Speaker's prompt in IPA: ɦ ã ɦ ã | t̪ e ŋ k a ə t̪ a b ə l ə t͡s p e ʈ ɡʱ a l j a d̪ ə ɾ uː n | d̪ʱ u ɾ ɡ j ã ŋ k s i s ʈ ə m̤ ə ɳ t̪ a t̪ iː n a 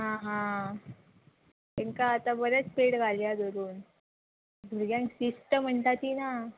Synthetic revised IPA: ɦ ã ɦ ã | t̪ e ŋ k a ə t̪ a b ə ɾ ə t͡s p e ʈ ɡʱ a l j a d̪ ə ɾ uː n | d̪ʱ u ɾ ɡ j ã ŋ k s i s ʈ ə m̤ ə ɳ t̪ a t̪ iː n a

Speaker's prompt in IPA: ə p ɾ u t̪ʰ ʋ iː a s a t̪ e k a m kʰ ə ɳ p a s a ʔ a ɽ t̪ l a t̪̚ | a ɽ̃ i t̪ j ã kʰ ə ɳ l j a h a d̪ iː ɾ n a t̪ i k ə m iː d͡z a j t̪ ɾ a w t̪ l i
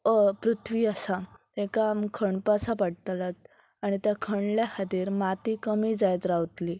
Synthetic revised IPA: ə p ɾ u t̪ʰ ʋ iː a s a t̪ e k a m kʰ ə ɳ p a s a p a ɽ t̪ l a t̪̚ | a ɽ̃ i t̪ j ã kʰ ə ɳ l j a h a d̪ iː ɾ m a t̪ i k ə m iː d͡z a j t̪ ɾ a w t̪ l i

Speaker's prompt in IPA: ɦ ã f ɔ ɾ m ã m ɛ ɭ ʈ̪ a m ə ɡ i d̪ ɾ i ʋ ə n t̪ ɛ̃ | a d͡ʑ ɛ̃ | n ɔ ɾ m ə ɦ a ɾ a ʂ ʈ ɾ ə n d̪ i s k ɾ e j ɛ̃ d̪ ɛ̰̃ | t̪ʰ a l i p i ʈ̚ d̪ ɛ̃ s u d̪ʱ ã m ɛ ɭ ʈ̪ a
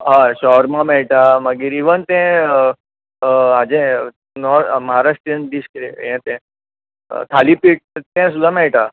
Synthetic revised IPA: ɦ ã ɕ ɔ ɾ m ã m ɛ ɭ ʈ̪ a m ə ɡ i ɾ i ʋ ə n t̪ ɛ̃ | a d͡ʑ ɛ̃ | n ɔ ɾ m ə ɦ a ɾ a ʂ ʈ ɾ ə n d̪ i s k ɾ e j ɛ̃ t̪ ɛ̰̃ | t̪ʰ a l i p i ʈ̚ t̪ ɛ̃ s u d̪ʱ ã m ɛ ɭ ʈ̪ a

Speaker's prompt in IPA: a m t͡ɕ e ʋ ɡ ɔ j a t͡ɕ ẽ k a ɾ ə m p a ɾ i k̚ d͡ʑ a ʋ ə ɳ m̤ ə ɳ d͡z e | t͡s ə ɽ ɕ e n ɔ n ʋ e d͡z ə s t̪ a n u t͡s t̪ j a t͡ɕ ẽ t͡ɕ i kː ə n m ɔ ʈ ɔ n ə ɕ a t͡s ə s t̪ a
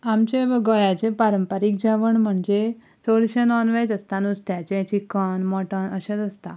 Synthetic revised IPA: a m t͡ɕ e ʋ ɡ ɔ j a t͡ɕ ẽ p a ɾ ə m p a ɾ i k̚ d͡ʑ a ʋ ə ɳ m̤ ə ɳ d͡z e | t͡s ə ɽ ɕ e n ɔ n ʋ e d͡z ə s t̪ a n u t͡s t̪ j a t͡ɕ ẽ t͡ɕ i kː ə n m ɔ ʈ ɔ n ə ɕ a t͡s ə s t̪ a

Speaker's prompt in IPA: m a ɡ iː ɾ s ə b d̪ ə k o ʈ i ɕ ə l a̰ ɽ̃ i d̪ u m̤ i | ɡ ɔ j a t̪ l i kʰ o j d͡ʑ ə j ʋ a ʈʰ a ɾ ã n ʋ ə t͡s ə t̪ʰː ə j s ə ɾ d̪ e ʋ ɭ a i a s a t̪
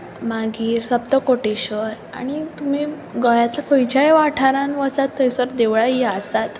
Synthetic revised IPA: m a ɡ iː ɾ s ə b t̪ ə k o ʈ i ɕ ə ɾ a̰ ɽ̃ i t̪ u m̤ i | ɡ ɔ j a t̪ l a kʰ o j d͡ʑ a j ʋ a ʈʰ a ɾ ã n ʋ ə t͡s a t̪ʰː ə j s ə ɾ d̪ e ʋ ɭ a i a s a t̪

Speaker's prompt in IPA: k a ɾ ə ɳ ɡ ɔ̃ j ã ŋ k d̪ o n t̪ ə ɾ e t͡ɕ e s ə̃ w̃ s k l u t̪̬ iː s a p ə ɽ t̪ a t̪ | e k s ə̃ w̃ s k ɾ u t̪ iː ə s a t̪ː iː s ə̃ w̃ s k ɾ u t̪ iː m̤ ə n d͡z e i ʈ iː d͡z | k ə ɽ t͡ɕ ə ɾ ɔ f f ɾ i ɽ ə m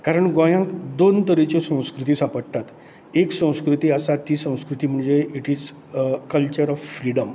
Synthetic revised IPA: k a ɾ ə ɳ ɡ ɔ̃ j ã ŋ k d̪ o n t̪ ə ɾ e t͡ɕ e s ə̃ w̃ s k ɾ u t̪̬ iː s a p ə ɽ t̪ a t̪ | e k s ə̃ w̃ s k ɾ u t̪ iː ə s a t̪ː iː s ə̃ w̃ s k ɾ u t̪ iː m̤ ə ɳ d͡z e i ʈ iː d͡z | k ə l t͡ɕ ə ɾ ɔ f f ɾ i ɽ ə m

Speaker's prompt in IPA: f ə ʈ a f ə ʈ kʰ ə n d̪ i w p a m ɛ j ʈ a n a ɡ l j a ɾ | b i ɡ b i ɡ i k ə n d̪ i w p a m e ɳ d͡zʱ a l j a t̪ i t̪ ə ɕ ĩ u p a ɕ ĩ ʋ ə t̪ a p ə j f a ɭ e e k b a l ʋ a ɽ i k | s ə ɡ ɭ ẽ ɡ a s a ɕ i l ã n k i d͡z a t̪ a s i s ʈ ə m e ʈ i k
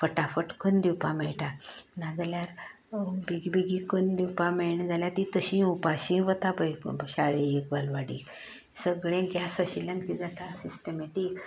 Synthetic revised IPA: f ə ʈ a f ə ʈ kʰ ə n d̪ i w p a m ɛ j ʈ a n a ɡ l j a ɾ | b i ɡ b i ɡ i k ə n d̪ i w p a m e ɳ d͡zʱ a l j a t̪ i t̪ ə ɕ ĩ u p a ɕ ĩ ʋ ə t̪ a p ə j ɕ a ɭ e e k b a l ʋ a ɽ i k | s ə ɡ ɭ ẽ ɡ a s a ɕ i l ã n k i d͡z a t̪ a s i s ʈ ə m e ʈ i k

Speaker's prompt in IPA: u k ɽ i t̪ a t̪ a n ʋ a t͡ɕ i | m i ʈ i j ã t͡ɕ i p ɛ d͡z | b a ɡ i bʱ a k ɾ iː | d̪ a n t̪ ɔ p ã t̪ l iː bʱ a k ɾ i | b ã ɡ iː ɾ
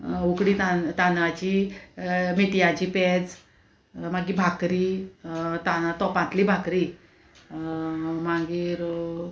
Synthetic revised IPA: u k ɽ i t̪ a t̪ a n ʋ a t͡ɕ i | m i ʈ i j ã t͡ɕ i p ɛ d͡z | m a ɡ i bʱ a k ɾ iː | t̪ a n t̪ ɔ p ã t̪ l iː bʱ a k ɾ i | m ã ɡ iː ɾ

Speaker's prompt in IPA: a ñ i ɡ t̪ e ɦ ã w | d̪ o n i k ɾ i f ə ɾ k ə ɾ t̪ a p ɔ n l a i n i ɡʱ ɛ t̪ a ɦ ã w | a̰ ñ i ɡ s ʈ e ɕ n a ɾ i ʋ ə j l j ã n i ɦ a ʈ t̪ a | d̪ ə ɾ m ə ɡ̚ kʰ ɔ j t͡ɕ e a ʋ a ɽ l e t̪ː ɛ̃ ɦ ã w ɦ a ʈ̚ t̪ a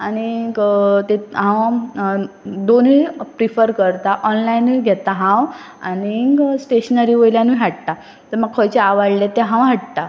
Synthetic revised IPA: a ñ i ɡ t̪ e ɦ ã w | d̪ o n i p ɾ i f ə ɾ k ə ɾ t̪ a ʔ ɔ n l a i n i ɡʱ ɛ t̪ a ɦ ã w | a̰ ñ i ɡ s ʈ e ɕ n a ɾ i ʋ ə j l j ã n i ɦ a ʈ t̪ a | t̪ ə ɾ m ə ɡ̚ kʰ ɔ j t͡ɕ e a ʋ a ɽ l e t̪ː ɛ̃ ɦ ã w ɦ a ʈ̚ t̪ a

